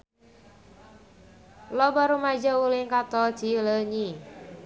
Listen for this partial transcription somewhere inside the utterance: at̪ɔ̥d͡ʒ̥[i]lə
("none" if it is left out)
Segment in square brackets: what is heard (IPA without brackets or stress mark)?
i